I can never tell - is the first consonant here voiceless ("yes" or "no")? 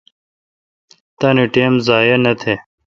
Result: yes